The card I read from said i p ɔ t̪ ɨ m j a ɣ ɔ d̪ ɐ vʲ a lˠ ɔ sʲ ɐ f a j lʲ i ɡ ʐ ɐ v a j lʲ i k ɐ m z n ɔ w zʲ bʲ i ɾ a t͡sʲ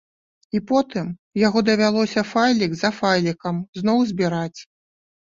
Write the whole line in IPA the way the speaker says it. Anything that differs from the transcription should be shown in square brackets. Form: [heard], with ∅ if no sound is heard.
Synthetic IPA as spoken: i p ɔ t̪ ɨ m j a ɣ ɔ d̪ ɐ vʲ a lˠ ɔ sʲ ɐ f a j lʲ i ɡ [z] ɐ [f] a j lʲ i k ɐ m z n ɔ w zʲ bʲ i ɾ a t͡sʲ